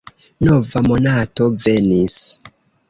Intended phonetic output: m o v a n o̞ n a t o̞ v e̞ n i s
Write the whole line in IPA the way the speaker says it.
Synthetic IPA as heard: n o v a m o̞ n a t o̞ v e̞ n i s